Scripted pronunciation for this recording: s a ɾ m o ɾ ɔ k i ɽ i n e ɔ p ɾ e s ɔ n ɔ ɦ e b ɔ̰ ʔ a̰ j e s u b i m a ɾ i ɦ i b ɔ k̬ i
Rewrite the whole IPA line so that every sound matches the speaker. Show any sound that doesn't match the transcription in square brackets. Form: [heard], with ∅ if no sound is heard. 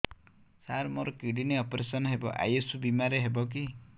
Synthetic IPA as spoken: s a ɾ m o ɾ ɔ k i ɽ i n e ɔ p ɾ e s ɔ n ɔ ɦ e b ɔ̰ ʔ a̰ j e s u b i m a ɾ [e] ɦ [e] b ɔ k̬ i